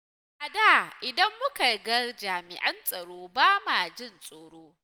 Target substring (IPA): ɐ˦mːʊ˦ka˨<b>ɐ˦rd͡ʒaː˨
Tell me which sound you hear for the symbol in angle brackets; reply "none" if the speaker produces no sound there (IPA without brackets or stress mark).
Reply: ɡ